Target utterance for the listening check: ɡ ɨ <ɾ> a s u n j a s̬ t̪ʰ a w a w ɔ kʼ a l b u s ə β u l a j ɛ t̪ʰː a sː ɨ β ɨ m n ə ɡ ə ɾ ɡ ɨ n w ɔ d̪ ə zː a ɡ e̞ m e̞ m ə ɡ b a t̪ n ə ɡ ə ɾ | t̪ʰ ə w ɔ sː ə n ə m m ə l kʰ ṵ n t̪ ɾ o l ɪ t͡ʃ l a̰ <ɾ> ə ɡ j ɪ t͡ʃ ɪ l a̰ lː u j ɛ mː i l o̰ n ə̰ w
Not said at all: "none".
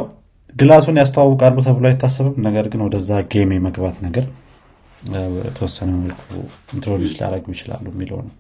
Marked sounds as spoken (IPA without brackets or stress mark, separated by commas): l, ɾ